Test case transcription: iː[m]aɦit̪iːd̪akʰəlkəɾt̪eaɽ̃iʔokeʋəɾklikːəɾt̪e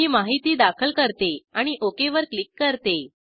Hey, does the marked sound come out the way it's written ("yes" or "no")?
yes